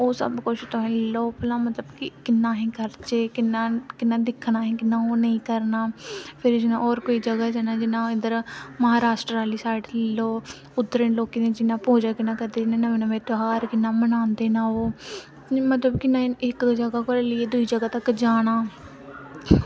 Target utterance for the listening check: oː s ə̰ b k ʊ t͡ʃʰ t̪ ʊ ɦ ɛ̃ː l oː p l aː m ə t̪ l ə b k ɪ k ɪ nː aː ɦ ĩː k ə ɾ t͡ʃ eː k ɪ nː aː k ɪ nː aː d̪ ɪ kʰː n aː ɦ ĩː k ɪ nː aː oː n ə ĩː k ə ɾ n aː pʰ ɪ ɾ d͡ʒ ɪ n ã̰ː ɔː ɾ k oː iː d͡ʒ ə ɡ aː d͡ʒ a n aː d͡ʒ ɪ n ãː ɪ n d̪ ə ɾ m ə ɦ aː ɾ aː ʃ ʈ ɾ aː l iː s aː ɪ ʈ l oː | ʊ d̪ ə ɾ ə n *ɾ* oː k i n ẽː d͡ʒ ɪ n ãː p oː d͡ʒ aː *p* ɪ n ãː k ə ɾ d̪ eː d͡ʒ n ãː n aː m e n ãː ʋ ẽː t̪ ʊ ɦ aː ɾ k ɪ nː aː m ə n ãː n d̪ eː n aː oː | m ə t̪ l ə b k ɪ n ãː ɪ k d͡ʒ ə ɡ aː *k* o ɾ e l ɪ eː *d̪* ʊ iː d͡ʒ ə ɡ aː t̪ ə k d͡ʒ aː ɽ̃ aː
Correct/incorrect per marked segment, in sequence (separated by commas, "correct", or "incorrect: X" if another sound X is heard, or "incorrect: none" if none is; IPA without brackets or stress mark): incorrect: l, incorrect: k, correct, correct